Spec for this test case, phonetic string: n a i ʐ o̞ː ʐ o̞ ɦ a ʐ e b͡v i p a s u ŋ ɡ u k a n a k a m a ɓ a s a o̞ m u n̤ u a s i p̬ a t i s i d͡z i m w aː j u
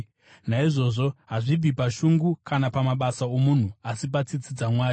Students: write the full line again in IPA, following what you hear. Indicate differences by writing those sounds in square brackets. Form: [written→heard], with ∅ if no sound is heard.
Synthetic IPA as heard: n a i ʐ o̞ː ʐ o̞ ɦ a ʐ [e→i] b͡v i p a [s→ʃ] u ŋ ɡ u k a n a [k→p] a m a ɓ a s a o̞ m u n̤ u a s i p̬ a [t→t͡s] i [s→t͡s] i d͡z [i→a] m w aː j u